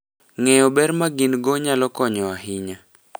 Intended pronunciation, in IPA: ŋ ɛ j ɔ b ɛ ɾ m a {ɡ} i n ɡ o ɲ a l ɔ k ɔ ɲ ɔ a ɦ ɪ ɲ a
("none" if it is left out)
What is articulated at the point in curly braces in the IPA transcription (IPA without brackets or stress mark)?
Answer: ɡ